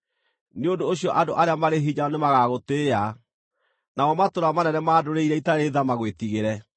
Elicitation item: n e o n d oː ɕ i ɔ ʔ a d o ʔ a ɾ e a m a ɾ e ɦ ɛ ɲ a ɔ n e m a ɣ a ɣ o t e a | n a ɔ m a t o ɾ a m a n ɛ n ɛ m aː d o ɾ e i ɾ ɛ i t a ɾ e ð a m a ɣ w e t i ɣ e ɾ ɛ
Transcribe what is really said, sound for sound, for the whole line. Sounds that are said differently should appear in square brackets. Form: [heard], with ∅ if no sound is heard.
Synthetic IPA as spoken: n e o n d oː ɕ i ɔ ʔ a d o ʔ a ɾ e a m a ɾ e ɦ [i] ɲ a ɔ n e m a ɣ a ɣ o t e a | n a ɔ m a t o ɾ a m a n ɛ n ɛ m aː d o ɾ e i ɾ ɛ i t a ɾ e ð a m a ɣ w e t i ɣ e ɾ ɛ